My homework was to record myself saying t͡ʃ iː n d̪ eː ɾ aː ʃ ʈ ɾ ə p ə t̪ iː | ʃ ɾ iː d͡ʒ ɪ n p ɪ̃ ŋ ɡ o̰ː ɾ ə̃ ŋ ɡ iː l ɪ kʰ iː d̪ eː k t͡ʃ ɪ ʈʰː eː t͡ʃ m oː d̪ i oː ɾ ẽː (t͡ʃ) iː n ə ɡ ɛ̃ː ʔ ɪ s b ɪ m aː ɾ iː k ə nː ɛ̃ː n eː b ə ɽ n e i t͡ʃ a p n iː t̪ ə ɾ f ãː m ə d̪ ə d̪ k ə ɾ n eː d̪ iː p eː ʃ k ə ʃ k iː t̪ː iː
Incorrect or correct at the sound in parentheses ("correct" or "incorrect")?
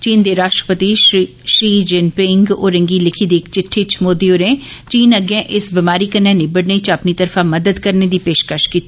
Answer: correct